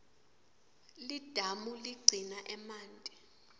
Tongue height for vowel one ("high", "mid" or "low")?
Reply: high